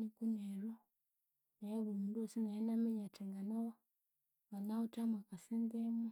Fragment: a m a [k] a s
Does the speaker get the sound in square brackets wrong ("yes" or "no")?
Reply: no